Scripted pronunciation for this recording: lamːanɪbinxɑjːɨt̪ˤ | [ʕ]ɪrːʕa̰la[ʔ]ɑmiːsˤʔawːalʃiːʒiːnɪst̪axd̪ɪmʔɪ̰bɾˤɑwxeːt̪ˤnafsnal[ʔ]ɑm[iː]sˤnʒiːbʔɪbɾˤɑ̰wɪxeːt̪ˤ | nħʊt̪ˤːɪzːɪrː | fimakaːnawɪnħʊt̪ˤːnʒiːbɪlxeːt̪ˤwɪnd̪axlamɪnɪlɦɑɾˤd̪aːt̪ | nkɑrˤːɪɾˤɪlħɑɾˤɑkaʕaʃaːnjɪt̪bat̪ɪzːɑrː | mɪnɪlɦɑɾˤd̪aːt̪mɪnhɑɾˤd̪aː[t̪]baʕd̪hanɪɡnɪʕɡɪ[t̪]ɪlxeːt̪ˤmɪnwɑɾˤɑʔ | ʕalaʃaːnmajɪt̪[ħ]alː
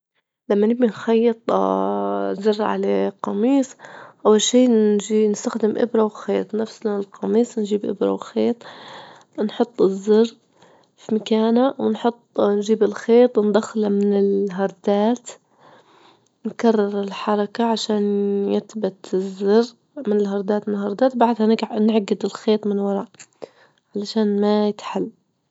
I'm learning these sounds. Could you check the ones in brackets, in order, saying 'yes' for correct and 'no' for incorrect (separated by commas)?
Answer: no, no, no, yes, yes, no, yes